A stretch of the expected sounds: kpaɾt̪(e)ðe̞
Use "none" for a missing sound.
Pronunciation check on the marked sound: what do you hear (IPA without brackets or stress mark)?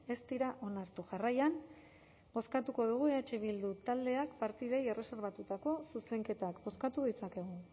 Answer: i